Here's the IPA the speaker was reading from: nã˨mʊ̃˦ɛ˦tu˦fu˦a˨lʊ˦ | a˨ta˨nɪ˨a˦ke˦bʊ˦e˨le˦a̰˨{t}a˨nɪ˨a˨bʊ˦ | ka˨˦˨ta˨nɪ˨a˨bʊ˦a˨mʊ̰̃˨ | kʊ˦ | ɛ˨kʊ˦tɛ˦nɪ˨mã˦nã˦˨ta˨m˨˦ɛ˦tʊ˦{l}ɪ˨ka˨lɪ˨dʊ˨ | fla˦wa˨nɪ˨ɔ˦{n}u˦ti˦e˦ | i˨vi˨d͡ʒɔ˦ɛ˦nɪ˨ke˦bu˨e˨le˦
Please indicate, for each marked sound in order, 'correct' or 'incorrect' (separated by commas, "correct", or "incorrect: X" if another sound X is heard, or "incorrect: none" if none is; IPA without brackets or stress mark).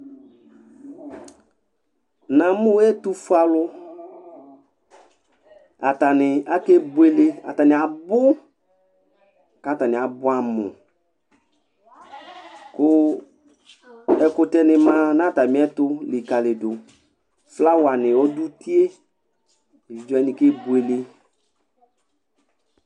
correct, correct, incorrect: d